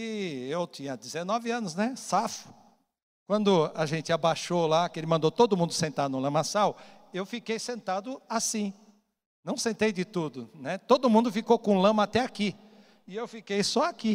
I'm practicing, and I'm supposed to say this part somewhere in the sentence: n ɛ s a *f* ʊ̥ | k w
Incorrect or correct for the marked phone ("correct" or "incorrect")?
correct